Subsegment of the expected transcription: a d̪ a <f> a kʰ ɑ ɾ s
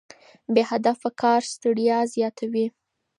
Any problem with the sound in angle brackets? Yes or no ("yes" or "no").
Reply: no